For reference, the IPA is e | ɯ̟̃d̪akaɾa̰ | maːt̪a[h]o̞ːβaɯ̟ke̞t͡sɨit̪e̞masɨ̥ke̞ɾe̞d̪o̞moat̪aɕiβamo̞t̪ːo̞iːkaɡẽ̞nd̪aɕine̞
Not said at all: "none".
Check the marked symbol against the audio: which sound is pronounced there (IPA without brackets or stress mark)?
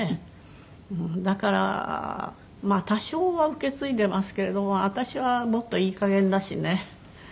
ɕ